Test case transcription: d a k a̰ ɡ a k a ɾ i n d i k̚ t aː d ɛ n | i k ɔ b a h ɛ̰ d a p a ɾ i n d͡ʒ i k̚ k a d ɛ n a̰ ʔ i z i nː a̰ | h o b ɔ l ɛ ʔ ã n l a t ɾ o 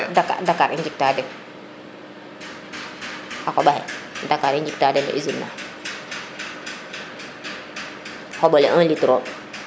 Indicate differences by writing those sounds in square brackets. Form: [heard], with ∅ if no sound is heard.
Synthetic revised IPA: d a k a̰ [d] a k a ɾ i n [d͡ʒ] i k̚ t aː d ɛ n | [a] k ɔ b a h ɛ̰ d a [k] a ɾ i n d͡ʒ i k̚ [t] a d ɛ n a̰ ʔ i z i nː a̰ | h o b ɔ l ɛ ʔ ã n l [i] t ɾ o